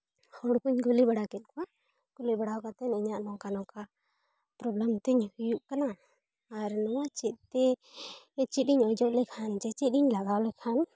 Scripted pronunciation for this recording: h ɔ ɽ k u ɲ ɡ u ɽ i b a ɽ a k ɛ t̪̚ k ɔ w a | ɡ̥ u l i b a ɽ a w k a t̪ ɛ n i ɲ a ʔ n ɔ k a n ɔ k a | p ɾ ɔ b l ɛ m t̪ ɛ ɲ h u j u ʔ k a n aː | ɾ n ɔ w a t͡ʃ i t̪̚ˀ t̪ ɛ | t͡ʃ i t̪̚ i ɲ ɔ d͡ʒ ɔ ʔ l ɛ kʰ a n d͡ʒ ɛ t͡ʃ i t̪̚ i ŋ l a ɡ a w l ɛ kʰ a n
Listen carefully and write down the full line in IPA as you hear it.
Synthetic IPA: h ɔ ɽ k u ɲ ɡ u l i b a ɽ a k ɛ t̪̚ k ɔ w a | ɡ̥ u l i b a ɽ a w k a t̪ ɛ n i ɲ a ʔ n ɔ k a n ɔ k a | p ɾ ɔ b l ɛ m t̪ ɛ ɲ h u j u ʔ k a n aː | ɾ n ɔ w a t͡ʃ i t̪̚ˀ t̪ ɛ | t͡ʃ i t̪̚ i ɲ ɔ d͡ʒ ɔ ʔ l ɛ kʰ a n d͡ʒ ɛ t͡ʃ i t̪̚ i ɲ l a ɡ a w l ɛ kʰ a n